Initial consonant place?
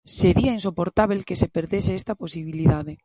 alveolar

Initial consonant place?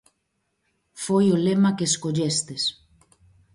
labial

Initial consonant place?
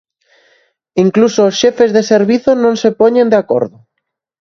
velar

